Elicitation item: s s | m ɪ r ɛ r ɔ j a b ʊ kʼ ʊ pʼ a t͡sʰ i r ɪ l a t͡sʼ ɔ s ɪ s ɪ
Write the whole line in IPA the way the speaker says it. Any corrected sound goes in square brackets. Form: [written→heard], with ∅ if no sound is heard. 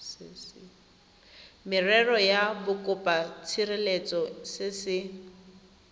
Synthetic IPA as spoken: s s | m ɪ r ɛ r ɔ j a b ʊ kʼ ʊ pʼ a t͡sʰ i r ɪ l [a→e] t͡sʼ ɔ s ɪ s ɪ